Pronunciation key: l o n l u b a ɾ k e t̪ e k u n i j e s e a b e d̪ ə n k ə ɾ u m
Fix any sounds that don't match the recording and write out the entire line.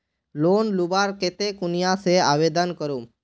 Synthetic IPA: l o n l u b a ɾ k e t̪ e k u n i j a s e a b e d̪ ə n k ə ɾ u m